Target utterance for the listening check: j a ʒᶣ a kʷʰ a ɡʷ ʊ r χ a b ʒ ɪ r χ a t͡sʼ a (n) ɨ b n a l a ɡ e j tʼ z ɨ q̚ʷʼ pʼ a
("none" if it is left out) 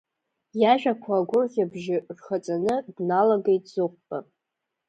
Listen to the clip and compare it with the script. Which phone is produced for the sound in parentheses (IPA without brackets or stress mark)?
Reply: n